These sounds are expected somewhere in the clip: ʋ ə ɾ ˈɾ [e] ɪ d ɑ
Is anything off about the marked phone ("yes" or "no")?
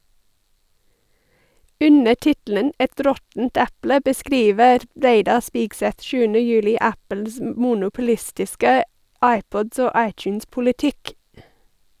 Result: no